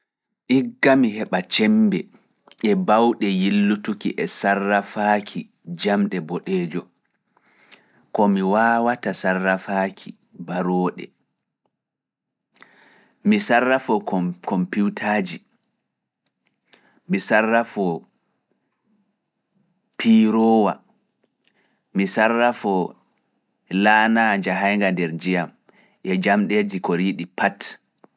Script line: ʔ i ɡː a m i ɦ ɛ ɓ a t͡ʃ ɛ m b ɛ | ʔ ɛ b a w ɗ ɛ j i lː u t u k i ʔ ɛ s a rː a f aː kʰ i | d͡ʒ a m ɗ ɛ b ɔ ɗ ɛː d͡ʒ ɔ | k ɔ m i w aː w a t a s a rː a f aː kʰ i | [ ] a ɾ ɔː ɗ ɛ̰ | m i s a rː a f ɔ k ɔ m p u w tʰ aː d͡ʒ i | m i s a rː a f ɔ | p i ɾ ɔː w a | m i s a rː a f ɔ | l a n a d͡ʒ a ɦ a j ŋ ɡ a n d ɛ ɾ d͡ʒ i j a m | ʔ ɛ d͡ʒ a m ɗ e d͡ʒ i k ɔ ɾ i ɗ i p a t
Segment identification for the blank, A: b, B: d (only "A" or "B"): A